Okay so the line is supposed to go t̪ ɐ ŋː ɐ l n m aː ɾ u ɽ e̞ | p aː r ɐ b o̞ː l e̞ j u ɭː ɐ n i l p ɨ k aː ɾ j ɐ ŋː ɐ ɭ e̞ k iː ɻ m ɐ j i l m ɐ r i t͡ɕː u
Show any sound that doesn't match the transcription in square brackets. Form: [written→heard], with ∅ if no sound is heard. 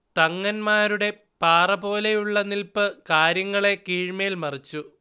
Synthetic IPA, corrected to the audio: t̪ ɐ ŋː ɐ [l→∅] n m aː ɾ u ɽ e̞ | p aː r ɐ b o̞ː l e̞ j u ɭː ɐ n i l p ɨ k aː ɾ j ɐ ŋː ɐ ɭ e̞ k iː ɻ m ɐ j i l m ɐ r i t͡ɕː u

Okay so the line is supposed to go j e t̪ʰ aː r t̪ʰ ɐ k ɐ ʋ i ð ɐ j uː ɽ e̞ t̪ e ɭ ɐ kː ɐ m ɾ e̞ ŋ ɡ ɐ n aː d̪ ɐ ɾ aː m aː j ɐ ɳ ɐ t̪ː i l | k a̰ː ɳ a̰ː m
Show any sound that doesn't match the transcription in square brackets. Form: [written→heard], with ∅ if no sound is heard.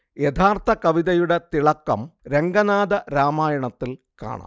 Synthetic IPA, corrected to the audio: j e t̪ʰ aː r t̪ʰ ɐ k ɐ ʋ i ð ɐ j [uː→u] ɽ e̞ t̪ [e→i] ɭ ɐ kː ɐ m ɾ e̞ ŋ ɡ ɐ n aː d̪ ɐ ɾ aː m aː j ɐ ɳ ɐ t̪ː i l | k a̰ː ɳ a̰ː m

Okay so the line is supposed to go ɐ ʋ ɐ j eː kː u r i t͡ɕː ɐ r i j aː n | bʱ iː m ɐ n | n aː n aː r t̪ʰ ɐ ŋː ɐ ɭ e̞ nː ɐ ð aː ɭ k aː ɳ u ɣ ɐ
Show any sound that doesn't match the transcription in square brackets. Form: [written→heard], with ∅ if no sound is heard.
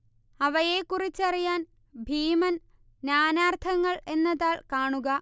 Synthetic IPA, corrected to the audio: ɐ ʋ ɐ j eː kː u r i t͡ɕː ɐ r i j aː n | bʱ iː m ɐ n | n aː n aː r t̪ʰ ɐ ŋː ɐ ɭ e̞ nː ɐ ð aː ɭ k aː ɳ u ɣ ɐ

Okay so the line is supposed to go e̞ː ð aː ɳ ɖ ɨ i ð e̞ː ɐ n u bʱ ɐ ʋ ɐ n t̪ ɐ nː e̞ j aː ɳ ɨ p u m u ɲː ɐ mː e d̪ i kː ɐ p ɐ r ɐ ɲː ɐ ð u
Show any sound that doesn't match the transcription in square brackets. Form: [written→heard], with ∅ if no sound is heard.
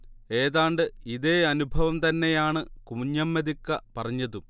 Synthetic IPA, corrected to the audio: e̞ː ð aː ɳ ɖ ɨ i ð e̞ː ɐ n u bʱ ɐ ʋ ɐ [n→m] t̪ ɐ nː e̞ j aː ɳ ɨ [p→k] u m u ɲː ɐ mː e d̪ i kː ɐ p ɐ r ɐ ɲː ɐ ð u

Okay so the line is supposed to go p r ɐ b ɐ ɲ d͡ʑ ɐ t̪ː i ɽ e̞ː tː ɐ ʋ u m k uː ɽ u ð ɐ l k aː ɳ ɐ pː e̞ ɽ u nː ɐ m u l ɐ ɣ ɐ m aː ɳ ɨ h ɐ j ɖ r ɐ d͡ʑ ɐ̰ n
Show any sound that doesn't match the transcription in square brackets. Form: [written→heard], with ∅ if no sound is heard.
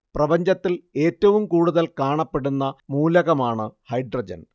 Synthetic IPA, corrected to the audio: p r ɐ b ɐ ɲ d͡ʑ ɐ t̪ː i [ɽ→l] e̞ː tː ɐ ʋ u m k uː ɽ u ð ɐ l k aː ɳ ɐ pː e̞ ɽ u nː ɐ m [u→uː] l ɐ ɣ ɐ m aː ɳ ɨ h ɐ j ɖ r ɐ d͡ʑ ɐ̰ n

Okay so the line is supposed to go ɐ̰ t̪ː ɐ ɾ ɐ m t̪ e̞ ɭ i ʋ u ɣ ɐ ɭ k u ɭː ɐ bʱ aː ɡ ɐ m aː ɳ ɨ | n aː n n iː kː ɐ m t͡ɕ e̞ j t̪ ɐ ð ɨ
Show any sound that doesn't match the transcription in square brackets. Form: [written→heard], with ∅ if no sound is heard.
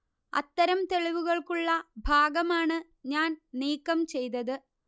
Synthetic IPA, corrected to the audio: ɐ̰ t̪ː ɐ ɾ ɐ m t̪ e̞ ɭ i ʋ u ɣ ɐ ɭ k u ɭː ɐ bʱ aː ɡ ɐ m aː ɳ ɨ | [n→ɲ] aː n n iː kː ɐ m t͡ɕ e̞ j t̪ ɐ ð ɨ

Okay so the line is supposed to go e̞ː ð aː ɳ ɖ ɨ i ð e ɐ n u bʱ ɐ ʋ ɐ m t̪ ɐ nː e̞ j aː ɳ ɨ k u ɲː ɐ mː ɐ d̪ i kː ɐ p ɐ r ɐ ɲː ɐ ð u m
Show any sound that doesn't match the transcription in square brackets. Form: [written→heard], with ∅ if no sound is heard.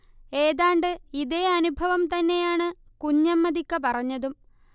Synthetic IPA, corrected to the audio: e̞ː ð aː ɳ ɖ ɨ i ð e ɐ n u bʱ ɐ ʋ ɐ m t̪ ɐ nː e̞ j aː ɳ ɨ k u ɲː ɐ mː ɐ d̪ i kː ɐ p ɐ r ɐ ɲː ɐ ð u m

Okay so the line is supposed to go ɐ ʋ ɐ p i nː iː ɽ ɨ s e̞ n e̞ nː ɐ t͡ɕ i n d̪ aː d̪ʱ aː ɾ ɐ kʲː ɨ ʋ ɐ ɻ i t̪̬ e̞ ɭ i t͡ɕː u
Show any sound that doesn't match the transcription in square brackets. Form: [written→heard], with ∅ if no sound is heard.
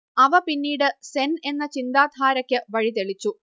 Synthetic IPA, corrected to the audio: ɐ ʋ ɐ p i nː iː ɽ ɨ s e̞ n e̞ nː ɐ t͡ɕ i n d̪ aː d̪ʱ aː ɾ ɐ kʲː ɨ ʋ ɐ ɻ i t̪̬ e̞ ɭ i t͡ɕː u

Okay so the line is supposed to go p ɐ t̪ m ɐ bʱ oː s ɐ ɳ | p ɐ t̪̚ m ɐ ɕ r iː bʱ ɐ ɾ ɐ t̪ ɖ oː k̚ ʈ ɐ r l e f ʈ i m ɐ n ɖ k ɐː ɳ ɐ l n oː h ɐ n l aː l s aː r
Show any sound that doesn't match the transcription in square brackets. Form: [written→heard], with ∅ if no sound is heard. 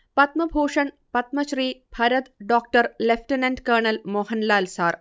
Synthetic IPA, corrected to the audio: p ɐ t̪ m ɐ bʱ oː [s→ʂ] ɐ ɳ | p ɐ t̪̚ m ɐ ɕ r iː bʱ ɐ ɾ ɐ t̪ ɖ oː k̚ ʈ ɐ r l e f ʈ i [m→n] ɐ n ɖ k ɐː ɳ ɐ l [n→m] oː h ɐ n l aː l s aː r

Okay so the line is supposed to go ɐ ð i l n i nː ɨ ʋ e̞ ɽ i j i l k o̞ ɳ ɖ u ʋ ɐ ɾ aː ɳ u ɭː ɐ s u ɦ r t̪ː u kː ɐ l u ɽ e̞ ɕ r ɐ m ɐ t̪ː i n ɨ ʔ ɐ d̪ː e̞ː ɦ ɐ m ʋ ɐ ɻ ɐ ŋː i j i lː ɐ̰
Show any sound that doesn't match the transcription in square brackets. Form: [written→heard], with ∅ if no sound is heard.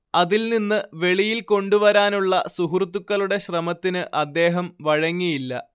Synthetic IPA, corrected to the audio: ɐ ð i l n i nː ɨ ʋ e̞ [ɽ→ɭ] i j i l k o̞ ɳ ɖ u ʋ ɐ ɾ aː [ɳ→n] u ɭː ɐ s u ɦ r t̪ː u kː ɐ l u ɽ e̞ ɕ r ɐ m ɐ t̪ː i n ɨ ʔ ɐ d̪ː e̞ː ɦ ɐ m ʋ ɐ ɻ ɐ ŋː i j i lː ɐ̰

